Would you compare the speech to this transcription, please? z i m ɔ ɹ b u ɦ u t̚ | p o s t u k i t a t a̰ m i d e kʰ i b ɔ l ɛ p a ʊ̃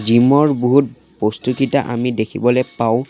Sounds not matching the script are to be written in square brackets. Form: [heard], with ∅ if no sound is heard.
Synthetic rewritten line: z i m ɔ ɹ b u ɦ u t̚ | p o s t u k i t a [ʔ] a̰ m i d e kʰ i b ɔ l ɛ p a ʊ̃

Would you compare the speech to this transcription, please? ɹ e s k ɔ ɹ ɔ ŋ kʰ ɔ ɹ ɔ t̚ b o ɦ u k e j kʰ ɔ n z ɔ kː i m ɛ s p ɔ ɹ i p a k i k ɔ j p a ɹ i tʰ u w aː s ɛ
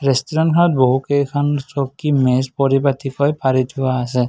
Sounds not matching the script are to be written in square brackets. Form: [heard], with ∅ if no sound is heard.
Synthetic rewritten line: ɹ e s [t] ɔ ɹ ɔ [n] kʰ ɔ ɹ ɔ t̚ b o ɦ u k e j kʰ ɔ n [s] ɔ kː i m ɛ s p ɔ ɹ i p a [t] i k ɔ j p a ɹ i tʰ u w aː s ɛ

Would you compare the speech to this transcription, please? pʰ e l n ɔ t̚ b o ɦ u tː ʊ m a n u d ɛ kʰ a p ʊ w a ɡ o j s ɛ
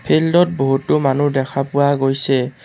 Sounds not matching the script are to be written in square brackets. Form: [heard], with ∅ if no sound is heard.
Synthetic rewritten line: pʰ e l [d] ɔ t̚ b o ɦ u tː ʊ m a n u d ɛ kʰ a p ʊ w a ɡ o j s ɛ

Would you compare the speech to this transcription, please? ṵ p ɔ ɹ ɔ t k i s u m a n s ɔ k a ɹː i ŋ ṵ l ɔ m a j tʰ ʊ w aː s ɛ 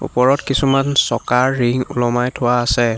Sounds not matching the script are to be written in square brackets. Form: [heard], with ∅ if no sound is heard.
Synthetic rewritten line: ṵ p ɔ ɹ ɔ t k i s u m a n s ɔ k a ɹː i ŋ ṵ l ɔ m a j tʰ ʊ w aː s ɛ

